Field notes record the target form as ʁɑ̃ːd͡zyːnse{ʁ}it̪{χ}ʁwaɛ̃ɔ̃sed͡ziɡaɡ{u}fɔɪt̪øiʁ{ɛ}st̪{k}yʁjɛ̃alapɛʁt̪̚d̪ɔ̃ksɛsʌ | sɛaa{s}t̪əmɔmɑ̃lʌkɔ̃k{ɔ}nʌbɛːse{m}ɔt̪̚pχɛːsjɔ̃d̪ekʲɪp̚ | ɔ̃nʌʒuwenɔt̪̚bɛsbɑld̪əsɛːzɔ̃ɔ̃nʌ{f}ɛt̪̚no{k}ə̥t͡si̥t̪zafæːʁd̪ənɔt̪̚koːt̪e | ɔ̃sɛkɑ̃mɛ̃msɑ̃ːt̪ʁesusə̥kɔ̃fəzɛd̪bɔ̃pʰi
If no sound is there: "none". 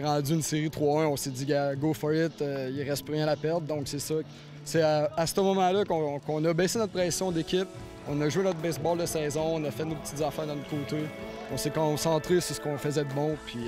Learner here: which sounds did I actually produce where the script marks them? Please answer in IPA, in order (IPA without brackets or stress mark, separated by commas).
ʁ, χ, o, ɛ, p, s, ɔ̃, n, f, p